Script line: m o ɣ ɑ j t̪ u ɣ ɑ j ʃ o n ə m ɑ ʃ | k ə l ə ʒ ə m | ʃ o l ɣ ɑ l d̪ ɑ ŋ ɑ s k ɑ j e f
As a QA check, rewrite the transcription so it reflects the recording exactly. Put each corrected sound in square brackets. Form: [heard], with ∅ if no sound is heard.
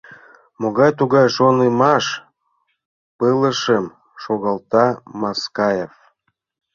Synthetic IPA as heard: m o ɣ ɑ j t̪ u ɣ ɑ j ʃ o n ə m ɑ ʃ | [p] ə l ə [ʃ] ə m | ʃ o [∅] ɣ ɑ l [t̪] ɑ [m] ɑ s k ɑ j e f